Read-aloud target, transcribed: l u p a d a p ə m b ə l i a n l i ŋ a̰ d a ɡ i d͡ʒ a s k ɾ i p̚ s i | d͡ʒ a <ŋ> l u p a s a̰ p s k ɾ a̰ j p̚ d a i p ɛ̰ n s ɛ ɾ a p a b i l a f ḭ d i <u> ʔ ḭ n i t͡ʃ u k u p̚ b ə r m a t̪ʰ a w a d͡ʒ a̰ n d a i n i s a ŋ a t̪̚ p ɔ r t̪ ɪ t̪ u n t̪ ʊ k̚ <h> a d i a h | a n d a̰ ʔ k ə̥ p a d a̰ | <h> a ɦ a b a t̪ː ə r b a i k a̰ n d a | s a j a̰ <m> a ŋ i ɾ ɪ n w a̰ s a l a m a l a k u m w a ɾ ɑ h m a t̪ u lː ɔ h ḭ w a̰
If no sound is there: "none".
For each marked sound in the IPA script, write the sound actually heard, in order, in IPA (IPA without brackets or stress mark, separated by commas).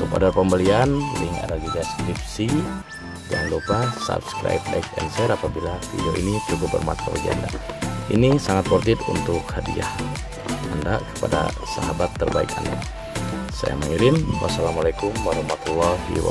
ŋ, o, h, s, m